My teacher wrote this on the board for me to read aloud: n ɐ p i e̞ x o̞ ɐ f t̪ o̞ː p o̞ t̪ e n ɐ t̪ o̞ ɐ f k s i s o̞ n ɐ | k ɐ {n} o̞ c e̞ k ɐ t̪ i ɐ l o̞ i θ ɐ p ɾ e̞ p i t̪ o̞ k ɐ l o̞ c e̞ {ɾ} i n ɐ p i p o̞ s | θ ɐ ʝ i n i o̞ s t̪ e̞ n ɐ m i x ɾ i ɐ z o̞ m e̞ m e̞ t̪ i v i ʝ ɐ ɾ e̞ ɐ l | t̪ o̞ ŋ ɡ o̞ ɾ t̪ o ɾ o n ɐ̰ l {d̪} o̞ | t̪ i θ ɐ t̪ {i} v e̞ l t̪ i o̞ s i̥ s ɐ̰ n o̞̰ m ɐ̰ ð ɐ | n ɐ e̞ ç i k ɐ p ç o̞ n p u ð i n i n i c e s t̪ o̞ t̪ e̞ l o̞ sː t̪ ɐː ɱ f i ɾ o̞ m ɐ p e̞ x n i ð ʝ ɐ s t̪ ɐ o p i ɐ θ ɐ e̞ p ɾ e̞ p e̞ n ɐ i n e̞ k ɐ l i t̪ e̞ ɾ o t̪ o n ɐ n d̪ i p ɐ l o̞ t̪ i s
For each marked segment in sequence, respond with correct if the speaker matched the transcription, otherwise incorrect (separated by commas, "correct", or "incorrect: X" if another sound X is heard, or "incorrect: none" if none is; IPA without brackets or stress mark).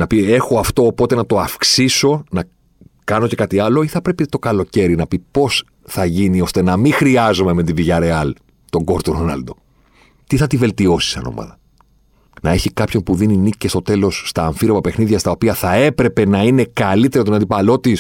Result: correct, correct, correct, correct